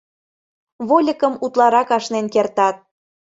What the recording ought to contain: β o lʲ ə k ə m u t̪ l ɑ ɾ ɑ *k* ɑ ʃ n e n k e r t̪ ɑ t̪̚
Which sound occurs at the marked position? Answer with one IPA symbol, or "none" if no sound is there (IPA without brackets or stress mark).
k